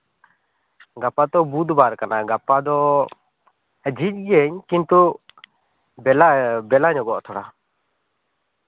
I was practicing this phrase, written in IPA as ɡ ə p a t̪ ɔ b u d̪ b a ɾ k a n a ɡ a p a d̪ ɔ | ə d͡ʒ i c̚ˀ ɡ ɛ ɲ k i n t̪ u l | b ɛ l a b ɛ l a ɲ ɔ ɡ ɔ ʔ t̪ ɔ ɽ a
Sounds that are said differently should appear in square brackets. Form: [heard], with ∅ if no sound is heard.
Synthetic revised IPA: ɡ [a] p a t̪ ɔ b u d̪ b a ɾ k a n a ɡ a p a d̪ ɔ | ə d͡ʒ i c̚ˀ ɡ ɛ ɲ k i n t̪ u [∅] | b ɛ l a b ɛ l a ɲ ɔ ɡ ɔ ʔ [t̪ʰ] ɔ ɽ a